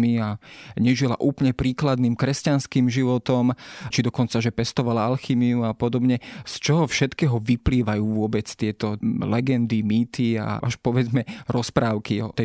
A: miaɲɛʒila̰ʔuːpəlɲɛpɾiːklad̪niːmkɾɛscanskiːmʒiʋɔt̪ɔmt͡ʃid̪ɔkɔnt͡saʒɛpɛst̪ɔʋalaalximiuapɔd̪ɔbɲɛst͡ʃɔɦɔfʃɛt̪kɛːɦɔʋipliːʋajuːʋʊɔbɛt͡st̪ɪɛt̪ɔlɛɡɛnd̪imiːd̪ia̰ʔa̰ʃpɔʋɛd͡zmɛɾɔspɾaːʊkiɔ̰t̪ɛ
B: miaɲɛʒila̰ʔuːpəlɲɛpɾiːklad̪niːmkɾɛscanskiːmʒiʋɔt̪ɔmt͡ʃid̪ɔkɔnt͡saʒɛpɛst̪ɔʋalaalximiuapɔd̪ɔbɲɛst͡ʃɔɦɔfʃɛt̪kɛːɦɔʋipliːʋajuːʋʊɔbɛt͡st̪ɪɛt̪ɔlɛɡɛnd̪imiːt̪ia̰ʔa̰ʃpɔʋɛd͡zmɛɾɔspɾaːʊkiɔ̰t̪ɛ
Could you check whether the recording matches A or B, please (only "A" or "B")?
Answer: B